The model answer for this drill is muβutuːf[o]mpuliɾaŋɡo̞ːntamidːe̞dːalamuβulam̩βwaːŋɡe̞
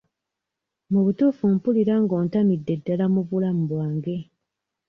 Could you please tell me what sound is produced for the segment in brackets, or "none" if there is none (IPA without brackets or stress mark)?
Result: u